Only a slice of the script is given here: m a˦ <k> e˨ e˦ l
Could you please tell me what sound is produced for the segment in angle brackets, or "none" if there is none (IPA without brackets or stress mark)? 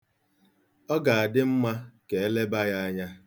k